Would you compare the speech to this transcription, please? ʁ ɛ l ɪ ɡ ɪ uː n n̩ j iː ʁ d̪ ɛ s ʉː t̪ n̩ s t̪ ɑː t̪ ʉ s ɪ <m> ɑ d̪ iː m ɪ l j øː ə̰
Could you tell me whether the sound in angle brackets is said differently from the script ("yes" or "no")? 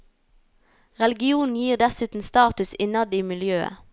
yes